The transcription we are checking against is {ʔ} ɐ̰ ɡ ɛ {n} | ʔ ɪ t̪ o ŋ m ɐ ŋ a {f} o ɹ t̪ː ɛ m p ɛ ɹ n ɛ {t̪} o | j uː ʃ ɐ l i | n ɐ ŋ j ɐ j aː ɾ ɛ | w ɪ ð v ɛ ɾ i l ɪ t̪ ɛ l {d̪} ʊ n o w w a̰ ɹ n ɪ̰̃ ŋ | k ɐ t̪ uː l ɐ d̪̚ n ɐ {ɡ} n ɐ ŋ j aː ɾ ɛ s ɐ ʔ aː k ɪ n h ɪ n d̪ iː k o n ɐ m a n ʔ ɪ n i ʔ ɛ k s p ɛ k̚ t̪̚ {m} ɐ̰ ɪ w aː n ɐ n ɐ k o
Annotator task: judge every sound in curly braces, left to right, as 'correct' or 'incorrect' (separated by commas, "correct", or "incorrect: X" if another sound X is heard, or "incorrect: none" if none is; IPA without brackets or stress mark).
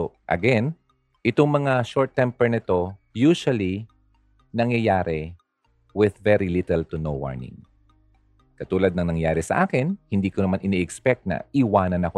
correct, correct, incorrect: ʃ, correct, incorrect: t̪, incorrect: ŋ, incorrect: n